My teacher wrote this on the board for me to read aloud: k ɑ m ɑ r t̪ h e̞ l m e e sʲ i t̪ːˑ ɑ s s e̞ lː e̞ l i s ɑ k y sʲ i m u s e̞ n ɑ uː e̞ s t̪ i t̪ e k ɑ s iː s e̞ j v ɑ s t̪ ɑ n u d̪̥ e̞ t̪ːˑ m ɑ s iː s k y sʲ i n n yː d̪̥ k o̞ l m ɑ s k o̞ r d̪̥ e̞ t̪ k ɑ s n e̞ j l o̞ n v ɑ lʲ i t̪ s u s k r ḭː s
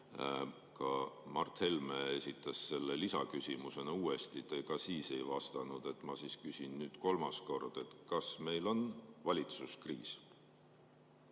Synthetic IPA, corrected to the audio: k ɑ m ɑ r t̪ h e̞ l m e e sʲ i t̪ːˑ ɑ s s e̞ lː e̞ l i s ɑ k y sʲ i m u s e̞ n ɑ uː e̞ s t̪ i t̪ e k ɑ s iː s e̞ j v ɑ s t̪ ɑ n u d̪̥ e̞ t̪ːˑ m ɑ s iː s k y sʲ i n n yː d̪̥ k o̞ l m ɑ s k o̞ r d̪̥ e̞ t̪ k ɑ s m e̞ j l o̞ n v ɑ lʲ i t̪ s u s k r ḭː s